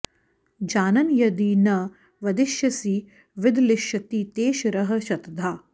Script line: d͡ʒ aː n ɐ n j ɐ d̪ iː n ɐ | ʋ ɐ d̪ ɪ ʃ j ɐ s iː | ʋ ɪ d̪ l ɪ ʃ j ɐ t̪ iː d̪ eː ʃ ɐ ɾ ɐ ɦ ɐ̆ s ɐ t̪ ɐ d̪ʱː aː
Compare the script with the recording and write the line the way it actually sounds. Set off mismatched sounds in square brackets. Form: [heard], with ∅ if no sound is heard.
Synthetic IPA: d͡ʒ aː n ɐ n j ɐ d̪ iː n ɐ | ʋ ɐ d̪ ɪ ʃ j ɐ s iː | ʋ ɪ d̪ l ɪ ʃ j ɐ t̪ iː [t̪] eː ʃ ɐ ɾ ɐ ɦ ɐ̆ [ʃ] ɐ t̪ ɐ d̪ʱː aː